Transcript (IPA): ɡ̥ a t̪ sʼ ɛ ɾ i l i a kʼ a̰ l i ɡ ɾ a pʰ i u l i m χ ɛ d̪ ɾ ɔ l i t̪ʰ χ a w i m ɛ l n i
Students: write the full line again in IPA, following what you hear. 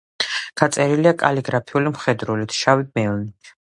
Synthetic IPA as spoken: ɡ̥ a t̪ sʼ ɛ ɾ i l i a kʼ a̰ l i ɡ ɾ a pʰ i u l i m χ ɛ d̪ ɾ u l i t̪ʰ ʃ a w i m ɛ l n i